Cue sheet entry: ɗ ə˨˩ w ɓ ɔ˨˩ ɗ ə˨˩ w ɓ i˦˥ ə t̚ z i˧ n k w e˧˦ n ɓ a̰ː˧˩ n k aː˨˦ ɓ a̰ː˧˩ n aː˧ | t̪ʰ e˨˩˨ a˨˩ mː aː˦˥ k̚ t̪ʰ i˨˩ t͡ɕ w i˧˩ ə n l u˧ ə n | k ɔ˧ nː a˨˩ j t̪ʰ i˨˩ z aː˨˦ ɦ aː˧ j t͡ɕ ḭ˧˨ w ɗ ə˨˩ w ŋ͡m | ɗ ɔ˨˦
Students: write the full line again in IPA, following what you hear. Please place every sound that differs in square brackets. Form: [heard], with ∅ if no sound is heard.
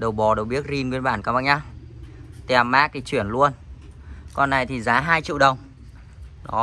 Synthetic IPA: ɗ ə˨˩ w ɓ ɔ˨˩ ɗ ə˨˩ w ɓ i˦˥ ə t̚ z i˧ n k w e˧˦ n ɓ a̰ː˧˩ n k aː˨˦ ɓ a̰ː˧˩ [ɲ] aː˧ | [t̪] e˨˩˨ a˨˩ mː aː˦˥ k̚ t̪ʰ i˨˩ t͡ɕ w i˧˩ ə n l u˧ ə n | k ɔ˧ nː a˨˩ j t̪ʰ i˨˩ z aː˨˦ ɦ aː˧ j t͡ɕ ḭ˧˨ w ɗ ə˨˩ w ŋ͡m | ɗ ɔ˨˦

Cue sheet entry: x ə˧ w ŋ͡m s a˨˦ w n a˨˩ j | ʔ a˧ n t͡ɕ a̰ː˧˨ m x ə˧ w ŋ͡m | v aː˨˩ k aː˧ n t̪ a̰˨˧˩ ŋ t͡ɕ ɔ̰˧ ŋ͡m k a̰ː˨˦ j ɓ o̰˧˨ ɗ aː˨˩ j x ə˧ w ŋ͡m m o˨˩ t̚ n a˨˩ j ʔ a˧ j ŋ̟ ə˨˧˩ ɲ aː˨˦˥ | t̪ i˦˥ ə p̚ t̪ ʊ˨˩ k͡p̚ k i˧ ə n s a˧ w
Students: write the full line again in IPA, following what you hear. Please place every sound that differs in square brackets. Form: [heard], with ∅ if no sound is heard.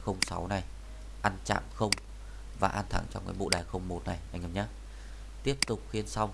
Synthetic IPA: x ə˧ w ŋ͡m s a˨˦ w n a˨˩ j | ʔ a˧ n t͡ɕ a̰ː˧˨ m x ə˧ w ŋ͡m | v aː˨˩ [ʔ] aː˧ n [t̪ʰ] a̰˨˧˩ ŋ t͡ɕ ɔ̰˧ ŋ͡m k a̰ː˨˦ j ɓ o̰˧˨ ɗ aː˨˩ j x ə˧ w ŋ͡m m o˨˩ t̚ n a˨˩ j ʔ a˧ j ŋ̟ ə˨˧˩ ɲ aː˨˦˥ | t̪ i˦˥ ə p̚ t̪ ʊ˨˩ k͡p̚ [x] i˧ ə n s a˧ w

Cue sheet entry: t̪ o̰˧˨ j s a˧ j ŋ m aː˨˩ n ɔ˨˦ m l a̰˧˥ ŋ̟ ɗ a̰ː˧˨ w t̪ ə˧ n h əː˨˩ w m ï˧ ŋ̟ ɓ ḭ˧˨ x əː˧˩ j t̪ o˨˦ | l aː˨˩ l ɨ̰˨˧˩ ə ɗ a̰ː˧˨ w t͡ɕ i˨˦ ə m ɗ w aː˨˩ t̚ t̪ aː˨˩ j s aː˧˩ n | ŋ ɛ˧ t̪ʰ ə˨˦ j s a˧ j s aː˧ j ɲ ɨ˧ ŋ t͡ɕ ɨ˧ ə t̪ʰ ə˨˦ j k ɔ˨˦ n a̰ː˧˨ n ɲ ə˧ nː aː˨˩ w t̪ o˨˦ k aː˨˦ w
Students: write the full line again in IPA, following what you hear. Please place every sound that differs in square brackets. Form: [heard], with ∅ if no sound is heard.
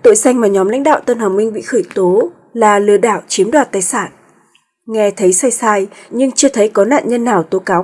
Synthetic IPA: t̪ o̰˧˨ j s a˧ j ŋ m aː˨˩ [ɲ] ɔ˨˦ m l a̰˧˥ ŋ̟ ɗ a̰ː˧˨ w t̪ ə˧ n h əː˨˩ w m ï˧ ŋ̟ ɓ ḭ˧˨ x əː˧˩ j t̪ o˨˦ | l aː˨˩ l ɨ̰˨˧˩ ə ɗ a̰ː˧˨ w t͡ɕ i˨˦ ə m ɗ w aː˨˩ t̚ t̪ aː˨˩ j s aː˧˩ n | ŋ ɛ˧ t̪ʰ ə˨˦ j s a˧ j s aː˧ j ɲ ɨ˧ ŋ t͡ɕ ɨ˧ ə t̪ʰ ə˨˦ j k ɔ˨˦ n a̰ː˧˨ n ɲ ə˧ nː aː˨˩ w t̪ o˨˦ k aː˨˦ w

